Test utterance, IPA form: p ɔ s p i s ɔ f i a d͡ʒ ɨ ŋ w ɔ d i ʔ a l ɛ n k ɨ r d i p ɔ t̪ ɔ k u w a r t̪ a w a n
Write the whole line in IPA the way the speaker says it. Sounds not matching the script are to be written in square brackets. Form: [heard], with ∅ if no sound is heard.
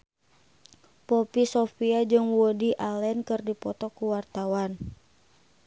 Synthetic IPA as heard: p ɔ [∅] p i s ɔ f i a d͡ʒ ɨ ŋ w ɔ d i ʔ a l ɛ n k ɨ r d i p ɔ t̪ ɔ k u w a r t̪ a w a n